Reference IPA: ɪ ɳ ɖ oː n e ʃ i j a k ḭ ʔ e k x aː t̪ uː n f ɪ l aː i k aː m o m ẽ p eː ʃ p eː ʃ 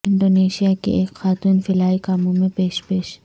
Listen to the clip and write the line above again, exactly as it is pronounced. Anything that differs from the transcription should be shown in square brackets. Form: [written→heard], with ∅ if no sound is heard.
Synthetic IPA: ɪ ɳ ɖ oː n e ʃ i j a k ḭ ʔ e k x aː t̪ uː n f ɪ l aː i k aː m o m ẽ p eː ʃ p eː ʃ